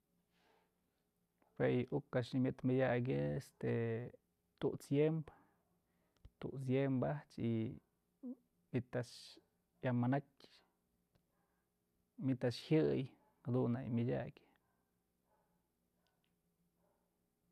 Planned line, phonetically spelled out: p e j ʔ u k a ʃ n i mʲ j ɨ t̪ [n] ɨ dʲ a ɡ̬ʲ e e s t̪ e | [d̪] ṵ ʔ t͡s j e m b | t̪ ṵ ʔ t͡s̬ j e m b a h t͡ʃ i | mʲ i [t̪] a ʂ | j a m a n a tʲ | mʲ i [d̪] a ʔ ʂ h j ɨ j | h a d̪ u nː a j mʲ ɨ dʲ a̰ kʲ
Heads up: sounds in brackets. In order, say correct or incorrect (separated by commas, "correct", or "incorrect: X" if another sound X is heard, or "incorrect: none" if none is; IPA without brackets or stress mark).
incorrect: m, incorrect: t̪, correct, incorrect: t̪